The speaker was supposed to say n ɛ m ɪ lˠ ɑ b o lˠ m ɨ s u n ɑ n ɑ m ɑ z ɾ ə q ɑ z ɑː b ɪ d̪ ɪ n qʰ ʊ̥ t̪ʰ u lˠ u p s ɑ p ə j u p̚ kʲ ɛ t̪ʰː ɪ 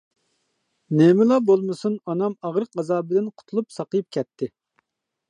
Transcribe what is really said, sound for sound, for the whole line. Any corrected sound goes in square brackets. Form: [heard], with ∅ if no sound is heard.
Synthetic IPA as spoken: n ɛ m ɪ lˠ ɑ b o lˠ m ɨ s u n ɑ n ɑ m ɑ [ʁ] ɾ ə q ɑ z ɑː b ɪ d̪ ɪ n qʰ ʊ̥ t̪ʰ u lˠ u p s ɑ [q] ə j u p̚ kʲ ɛ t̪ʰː ɪ